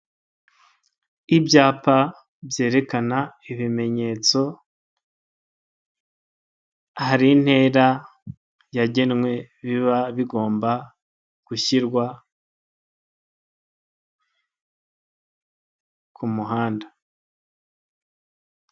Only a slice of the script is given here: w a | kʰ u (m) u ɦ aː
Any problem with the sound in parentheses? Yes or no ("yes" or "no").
no